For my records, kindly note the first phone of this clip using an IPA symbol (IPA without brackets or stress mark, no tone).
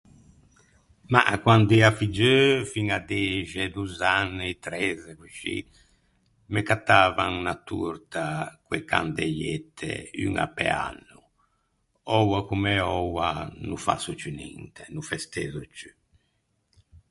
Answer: m